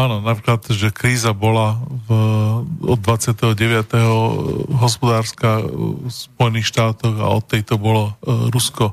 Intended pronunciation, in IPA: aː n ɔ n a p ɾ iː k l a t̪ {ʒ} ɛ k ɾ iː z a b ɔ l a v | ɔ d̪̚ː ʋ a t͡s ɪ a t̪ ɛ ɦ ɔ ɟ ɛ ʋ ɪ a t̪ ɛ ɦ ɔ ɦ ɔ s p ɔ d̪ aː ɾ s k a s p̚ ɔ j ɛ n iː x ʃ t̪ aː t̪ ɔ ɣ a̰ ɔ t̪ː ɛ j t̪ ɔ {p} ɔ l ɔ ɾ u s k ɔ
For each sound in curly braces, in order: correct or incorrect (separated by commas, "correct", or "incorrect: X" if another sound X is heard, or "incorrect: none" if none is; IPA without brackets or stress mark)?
correct, incorrect: b